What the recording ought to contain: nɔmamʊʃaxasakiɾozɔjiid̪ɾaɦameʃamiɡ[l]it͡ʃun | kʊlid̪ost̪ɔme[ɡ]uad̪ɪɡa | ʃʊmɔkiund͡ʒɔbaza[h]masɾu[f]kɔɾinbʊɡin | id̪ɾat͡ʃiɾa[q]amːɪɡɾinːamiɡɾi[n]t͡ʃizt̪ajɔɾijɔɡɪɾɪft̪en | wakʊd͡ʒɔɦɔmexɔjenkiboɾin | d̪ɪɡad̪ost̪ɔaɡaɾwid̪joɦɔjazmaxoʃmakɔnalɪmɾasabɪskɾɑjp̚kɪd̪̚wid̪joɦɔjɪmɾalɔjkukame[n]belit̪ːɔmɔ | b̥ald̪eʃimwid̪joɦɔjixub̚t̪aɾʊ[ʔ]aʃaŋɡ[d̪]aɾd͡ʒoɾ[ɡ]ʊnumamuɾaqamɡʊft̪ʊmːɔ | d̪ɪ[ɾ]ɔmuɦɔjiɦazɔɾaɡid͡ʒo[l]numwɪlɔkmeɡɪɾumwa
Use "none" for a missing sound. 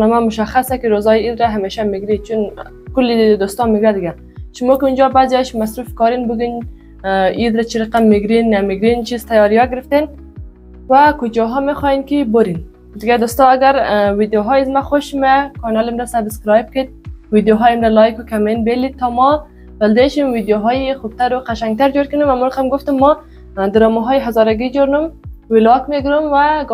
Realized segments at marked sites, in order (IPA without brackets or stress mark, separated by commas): ɾ, ɡ, ʃ, f, q, n, n, q, t̪, k, ɾ, ɾ